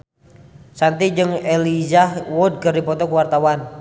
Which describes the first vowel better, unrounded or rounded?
unrounded